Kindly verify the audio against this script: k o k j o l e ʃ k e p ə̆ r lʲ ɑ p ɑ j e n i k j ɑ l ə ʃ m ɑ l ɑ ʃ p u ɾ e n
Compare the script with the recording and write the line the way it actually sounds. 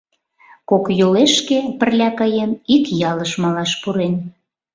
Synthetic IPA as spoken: k o k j o l e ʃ k e p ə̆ r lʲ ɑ k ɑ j e n i k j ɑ l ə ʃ m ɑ l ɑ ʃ p u ɾ e n

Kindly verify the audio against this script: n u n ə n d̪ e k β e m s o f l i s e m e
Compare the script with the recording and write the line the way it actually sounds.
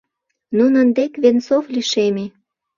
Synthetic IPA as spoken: n u n ə n d̪ e k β e n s o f l i ʃ e m e

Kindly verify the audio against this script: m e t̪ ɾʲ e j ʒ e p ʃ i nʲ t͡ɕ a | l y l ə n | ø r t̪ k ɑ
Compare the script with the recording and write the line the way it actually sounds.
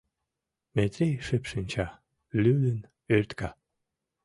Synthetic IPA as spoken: m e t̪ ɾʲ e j ʃ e p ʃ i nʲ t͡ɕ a | l y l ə n | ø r t̪ k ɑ

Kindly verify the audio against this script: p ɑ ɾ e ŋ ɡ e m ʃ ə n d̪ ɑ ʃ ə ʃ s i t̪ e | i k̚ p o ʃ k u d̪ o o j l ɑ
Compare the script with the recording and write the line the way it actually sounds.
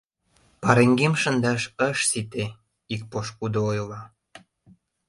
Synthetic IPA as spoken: p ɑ ɾ e ŋ ɡ e m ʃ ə n d̪ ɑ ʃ ə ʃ s i t̪ e | i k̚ p o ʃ k u d̪ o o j l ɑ

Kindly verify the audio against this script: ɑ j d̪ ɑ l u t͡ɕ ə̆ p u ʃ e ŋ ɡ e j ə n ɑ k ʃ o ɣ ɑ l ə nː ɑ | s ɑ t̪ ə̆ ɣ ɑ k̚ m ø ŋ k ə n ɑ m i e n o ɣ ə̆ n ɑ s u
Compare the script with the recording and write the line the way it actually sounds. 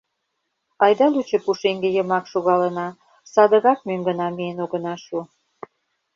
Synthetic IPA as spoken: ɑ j d̪ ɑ l u t͡ɕ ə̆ p u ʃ e ŋ ɡ e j ə m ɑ k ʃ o ɣ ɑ l ə n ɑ | s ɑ d̪ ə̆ ɣ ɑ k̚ m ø ŋ ɡ ə n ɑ m i e n o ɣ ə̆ n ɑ ʃ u

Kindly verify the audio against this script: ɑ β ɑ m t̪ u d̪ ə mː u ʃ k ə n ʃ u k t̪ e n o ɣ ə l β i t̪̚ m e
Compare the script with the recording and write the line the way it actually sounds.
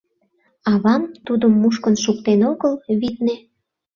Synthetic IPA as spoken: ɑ β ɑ m t̪ u d̪ ə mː u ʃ k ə n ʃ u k t̪ e n o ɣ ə l β i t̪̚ n e

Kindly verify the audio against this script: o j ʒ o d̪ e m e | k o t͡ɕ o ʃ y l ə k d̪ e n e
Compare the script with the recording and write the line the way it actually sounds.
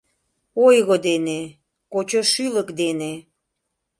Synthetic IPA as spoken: o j ɣ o d̪ e n e | k o t͡ɕ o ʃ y l ə k d̪ e n e

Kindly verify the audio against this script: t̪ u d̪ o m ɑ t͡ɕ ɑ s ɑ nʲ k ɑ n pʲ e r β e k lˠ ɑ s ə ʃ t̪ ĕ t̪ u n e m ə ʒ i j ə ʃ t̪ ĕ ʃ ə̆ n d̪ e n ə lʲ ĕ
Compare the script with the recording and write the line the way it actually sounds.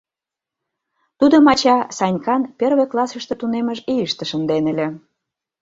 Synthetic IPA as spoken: t̪ u d̪ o m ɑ t͡ɕ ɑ s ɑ nʲ k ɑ n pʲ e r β e k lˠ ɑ s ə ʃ t̪ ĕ t̪ u n e m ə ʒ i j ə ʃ t̪ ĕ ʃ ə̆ n d̪ e n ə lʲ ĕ

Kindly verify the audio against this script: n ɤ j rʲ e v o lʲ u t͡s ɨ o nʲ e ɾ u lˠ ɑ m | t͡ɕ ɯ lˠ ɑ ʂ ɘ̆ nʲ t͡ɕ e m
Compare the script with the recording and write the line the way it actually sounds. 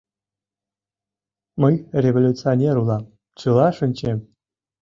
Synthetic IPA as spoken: m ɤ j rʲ e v o lʲ u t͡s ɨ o nʲ e ɾ u lˠ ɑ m | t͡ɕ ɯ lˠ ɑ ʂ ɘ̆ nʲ t͡ɕ e m

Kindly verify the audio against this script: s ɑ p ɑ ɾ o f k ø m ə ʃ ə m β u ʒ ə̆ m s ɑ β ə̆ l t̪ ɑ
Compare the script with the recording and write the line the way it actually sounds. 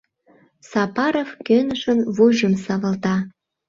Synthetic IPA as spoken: s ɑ p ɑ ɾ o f k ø n ə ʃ ə n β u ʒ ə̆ m s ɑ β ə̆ l t̪ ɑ

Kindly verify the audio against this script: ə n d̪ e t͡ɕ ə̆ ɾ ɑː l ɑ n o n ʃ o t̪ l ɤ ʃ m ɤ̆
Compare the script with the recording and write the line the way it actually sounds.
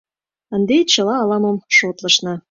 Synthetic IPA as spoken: ə n d̪ e t͡ɕ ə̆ l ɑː l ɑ m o m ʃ o t̪ l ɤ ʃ n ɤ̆

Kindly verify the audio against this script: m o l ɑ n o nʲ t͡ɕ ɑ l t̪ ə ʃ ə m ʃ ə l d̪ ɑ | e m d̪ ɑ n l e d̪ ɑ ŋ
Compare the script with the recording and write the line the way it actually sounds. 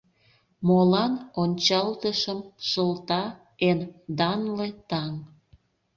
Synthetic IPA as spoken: m o l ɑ n o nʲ t͡ɕ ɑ l t̪ ə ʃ ə m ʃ ə l t̪ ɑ | e n d̪ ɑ n l e t̪ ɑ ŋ

